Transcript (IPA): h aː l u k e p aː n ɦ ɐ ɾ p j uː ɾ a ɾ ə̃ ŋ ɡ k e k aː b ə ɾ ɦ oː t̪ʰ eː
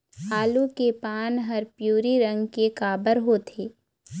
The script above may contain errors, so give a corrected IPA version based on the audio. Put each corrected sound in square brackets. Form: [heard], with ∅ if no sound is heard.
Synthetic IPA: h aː l u k e p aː n ɦ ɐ ɾ p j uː ɾ [i] ɾ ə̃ ŋ ɡ k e k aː b ə ɾ ɦ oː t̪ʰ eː